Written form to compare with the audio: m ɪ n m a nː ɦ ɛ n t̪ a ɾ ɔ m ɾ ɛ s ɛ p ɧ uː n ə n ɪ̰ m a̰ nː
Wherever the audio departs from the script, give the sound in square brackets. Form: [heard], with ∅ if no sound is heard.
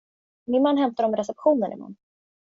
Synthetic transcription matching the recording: m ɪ n m a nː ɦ ɛ [m] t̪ a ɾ ɔ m ɾ ɛ s ɛ p ɧ uː n ə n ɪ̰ m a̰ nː